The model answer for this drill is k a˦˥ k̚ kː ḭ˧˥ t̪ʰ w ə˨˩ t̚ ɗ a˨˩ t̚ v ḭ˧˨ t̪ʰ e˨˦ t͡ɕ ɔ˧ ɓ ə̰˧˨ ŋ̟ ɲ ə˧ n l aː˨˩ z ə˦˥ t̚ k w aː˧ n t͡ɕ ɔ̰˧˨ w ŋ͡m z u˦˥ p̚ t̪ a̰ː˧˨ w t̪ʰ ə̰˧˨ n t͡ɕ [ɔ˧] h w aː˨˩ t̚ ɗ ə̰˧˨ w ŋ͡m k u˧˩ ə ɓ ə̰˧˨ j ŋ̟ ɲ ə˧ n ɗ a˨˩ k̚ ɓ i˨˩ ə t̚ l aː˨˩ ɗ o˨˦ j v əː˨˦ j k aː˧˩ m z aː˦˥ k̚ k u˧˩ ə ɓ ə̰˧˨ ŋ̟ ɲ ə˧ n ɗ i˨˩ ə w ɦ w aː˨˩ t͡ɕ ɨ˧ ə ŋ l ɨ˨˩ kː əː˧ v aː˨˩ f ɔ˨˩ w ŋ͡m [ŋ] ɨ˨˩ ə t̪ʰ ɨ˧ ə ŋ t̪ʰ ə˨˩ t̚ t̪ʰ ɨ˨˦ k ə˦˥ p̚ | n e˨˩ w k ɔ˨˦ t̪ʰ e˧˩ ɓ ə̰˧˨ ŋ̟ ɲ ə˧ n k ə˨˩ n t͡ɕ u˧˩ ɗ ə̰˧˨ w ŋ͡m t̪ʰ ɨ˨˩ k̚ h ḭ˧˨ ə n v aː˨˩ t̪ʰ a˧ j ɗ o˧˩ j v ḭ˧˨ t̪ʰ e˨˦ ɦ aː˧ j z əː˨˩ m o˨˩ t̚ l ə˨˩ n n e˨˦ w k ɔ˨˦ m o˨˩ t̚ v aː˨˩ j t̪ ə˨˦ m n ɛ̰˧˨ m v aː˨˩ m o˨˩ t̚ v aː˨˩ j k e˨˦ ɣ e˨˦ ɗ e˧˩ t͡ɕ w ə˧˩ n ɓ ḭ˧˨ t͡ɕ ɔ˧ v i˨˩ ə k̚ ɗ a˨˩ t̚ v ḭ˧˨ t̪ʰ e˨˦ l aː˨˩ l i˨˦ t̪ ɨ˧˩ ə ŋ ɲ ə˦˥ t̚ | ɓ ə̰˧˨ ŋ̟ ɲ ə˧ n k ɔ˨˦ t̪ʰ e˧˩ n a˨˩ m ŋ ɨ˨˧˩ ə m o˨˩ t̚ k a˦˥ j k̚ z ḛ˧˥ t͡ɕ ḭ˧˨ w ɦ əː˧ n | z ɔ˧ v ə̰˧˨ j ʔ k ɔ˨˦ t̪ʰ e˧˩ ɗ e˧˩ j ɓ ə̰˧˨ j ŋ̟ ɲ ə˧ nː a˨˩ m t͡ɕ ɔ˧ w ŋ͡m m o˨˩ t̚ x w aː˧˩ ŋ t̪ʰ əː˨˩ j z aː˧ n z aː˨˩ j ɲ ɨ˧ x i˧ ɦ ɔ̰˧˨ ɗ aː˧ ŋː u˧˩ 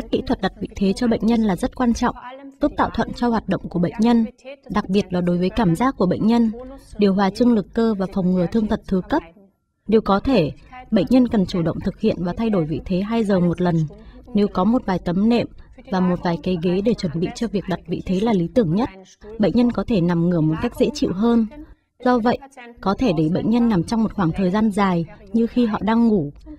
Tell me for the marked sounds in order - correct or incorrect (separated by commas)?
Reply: correct, correct